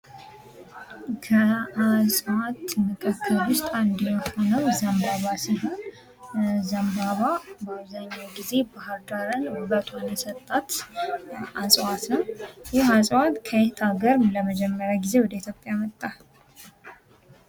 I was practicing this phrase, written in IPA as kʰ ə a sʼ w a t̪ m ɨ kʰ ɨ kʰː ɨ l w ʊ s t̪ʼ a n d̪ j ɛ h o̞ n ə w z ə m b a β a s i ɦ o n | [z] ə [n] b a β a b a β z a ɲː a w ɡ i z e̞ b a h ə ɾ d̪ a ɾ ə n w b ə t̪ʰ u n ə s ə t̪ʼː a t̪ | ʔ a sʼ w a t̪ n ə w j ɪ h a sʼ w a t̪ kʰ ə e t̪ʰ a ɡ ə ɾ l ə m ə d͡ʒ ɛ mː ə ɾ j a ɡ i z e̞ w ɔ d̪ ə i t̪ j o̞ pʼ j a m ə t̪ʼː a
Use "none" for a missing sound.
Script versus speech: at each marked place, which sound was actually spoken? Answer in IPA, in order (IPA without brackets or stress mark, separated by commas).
z, m